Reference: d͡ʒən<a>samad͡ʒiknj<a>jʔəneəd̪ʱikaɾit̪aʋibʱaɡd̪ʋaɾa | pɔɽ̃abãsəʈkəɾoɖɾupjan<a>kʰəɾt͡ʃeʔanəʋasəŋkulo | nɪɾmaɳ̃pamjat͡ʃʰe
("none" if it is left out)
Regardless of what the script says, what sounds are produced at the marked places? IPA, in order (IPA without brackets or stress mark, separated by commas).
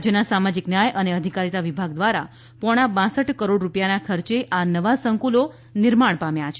a, a, a